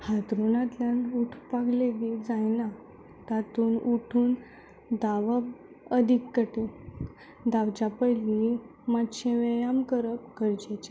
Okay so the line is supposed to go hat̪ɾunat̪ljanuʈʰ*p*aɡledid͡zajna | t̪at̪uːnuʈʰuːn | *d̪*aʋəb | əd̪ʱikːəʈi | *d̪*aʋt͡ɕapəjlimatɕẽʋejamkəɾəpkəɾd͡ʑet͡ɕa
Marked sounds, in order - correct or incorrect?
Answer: correct, correct, correct

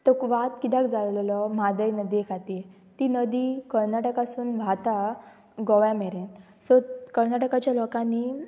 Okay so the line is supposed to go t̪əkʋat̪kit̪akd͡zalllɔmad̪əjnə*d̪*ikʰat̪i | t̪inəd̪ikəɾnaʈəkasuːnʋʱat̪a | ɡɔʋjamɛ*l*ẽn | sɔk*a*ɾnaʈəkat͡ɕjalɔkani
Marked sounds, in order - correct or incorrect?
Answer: correct, incorrect: ɾ, incorrect: ə

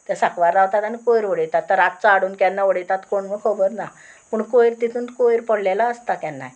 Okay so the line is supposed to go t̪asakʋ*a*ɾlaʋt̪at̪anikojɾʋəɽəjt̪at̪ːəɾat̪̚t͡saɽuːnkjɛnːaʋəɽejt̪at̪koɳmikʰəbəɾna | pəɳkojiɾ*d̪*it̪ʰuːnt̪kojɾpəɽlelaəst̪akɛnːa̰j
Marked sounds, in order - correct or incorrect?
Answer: correct, incorrect: t̪

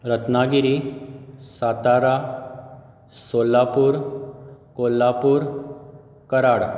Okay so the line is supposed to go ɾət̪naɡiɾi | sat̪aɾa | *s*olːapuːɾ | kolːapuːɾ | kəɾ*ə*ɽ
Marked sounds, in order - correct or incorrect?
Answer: correct, incorrect: a

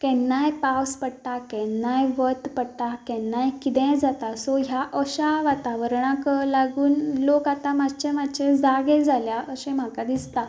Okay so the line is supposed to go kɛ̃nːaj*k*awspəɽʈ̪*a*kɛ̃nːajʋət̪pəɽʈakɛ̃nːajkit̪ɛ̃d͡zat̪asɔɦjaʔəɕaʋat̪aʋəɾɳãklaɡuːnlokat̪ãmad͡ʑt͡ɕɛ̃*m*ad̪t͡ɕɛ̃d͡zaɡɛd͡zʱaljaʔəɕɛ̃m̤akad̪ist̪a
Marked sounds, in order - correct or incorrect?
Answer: incorrect: p, correct, correct

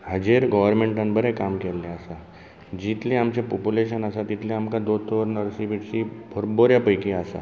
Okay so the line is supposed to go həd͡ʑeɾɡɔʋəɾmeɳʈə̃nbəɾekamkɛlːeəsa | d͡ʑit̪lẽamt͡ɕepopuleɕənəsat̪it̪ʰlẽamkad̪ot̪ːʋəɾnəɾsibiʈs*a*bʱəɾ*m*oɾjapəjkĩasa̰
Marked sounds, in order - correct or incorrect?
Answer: incorrect: i, incorrect: b

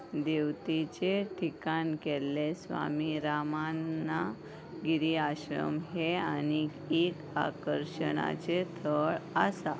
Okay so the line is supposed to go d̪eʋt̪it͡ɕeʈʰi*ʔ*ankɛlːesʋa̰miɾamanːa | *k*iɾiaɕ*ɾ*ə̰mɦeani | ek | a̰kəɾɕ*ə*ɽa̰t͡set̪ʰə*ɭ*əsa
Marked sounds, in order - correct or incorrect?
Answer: incorrect: k, incorrect: ɡ, correct, correct, correct

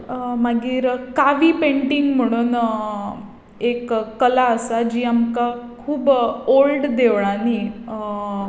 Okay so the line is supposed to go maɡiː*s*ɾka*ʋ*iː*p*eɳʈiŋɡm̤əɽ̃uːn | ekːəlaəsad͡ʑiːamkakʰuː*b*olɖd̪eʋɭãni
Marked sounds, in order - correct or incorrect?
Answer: incorrect: none, correct, correct, correct

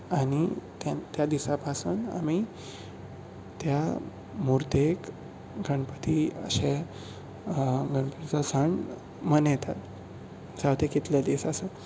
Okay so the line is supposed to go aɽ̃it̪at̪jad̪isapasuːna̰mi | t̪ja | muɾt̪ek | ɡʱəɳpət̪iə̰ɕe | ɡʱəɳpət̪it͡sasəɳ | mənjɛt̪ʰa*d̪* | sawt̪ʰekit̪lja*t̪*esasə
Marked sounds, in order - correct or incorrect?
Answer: incorrect: t̪, incorrect: d̪

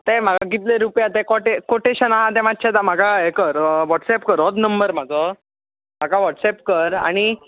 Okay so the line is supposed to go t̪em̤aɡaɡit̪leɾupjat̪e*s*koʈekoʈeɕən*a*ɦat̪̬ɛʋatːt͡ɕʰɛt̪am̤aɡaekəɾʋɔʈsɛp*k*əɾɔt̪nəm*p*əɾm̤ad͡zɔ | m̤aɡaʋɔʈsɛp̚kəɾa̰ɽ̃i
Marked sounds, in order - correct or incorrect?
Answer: incorrect: none, correct, correct, incorrect: b

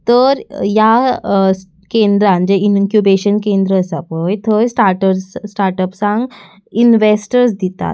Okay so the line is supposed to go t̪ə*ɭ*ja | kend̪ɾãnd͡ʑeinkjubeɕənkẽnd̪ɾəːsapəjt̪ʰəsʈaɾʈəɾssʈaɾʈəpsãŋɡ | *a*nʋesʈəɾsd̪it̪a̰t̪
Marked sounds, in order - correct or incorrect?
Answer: incorrect: ɾ, incorrect: i

